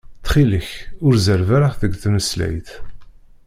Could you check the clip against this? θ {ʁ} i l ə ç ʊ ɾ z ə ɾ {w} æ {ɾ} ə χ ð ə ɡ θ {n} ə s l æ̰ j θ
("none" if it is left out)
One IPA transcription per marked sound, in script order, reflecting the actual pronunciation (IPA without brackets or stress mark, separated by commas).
χ, v, ɾ, m